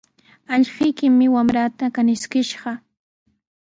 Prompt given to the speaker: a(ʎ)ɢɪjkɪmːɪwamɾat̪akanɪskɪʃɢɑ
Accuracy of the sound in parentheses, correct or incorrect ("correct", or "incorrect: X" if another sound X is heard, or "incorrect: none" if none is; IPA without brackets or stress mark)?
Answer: correct